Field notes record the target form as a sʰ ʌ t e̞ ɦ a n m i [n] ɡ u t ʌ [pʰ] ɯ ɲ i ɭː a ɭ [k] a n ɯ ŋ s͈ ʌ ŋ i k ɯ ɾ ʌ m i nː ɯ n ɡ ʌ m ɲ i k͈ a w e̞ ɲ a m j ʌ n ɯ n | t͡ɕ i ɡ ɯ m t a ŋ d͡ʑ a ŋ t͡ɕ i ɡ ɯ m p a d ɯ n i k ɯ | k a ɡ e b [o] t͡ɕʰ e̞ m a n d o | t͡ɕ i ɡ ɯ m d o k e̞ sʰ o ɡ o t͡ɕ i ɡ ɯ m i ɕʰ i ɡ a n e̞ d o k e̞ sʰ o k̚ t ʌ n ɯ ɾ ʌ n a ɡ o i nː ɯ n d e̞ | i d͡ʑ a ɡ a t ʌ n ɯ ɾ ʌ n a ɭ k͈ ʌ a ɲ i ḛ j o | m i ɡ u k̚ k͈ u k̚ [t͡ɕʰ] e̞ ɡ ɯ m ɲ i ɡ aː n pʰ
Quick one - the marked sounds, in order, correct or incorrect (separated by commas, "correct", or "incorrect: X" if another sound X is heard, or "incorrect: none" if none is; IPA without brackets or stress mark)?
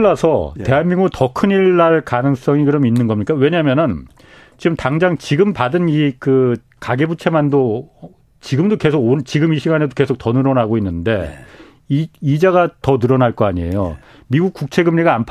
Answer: incorrect: ŋ, incorrect: kʰ, correct, incorrect: u, correct